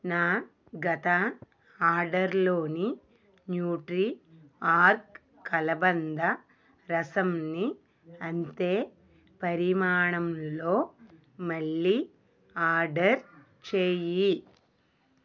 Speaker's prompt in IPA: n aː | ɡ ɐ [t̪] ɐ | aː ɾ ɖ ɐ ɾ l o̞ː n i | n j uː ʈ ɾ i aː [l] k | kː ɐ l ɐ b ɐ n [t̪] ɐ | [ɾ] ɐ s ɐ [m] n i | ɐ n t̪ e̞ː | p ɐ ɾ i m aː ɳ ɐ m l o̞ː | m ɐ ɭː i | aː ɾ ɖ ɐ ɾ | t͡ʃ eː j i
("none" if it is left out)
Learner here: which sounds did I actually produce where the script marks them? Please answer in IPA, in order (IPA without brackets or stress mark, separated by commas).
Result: t̪, ɾ, d̪, ɾ, m